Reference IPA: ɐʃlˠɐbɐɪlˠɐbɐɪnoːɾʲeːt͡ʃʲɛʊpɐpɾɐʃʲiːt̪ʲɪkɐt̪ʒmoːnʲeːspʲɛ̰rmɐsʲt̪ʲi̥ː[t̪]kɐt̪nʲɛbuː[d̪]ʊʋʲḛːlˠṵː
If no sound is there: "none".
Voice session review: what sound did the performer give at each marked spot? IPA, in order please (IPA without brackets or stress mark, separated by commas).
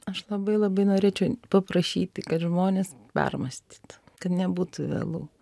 t̪, t̪